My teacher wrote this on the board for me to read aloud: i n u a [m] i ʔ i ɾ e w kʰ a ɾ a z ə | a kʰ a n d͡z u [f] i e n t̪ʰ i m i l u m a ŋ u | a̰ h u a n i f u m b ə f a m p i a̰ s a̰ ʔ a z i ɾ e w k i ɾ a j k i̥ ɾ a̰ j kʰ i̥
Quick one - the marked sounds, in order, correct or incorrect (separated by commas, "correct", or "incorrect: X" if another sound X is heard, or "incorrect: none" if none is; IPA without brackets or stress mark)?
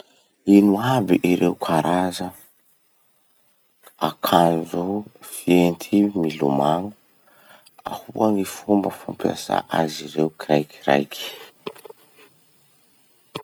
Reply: incorrect: b, correct